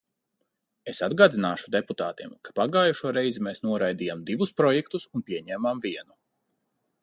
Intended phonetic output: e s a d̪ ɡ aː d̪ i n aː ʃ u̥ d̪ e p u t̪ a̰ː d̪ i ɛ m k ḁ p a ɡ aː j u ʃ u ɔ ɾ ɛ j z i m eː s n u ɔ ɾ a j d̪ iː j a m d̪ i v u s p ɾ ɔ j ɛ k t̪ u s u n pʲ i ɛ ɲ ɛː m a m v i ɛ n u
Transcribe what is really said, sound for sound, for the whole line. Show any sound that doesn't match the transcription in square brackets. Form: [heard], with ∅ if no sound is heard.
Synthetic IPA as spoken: e s a d̪ ɡ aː d̪ i n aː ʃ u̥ d̪ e p u t̪ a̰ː [t̪] i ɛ m k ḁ p a ɡ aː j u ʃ u ɔ ɾ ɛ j z i m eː s n u ɔ ɾ a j d̪ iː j a m d̪ i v u s p ɾ ɔ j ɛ k t̪ u s u n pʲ i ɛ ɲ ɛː m a m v i ɛ n u